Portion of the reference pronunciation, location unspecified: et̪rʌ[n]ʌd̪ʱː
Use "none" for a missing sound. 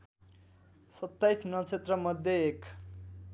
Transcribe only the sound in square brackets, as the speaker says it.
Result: m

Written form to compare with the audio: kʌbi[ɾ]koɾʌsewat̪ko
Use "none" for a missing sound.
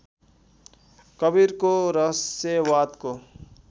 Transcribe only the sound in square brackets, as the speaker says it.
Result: ɾ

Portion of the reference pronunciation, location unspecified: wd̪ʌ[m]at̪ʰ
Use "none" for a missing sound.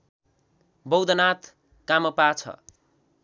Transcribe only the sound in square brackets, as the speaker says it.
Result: n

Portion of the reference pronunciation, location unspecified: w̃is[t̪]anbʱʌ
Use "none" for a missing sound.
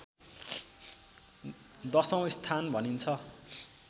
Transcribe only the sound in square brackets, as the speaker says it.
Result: t̪ʰ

